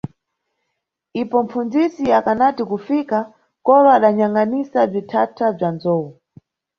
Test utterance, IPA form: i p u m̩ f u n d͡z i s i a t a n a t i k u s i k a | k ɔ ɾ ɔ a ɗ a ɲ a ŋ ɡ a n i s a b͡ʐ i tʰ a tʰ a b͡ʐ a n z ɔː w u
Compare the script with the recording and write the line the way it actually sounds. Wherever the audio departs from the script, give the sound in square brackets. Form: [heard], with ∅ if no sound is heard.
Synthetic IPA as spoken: i p [ɔ] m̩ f u n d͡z i s i a [k] a n a t i k u [f] i k a | k ɔ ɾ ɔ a ɗ a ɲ a ŋ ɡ a n i s a b͡ʐ i tʰ a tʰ a b͡ʐ a n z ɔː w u